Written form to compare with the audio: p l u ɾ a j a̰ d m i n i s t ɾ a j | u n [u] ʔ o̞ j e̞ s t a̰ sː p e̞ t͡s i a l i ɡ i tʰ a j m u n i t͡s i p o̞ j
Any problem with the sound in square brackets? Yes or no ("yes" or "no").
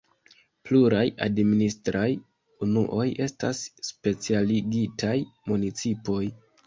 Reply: no